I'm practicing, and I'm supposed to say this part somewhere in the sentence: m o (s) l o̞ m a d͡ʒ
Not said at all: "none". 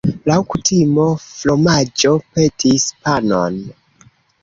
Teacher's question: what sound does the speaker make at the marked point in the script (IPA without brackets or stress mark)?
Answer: f